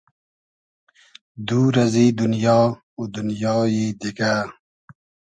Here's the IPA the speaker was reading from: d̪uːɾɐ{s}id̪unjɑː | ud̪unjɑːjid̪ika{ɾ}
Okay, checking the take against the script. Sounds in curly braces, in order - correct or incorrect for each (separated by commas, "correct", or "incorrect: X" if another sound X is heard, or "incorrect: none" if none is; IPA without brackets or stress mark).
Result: incorrect: z, incorrect: none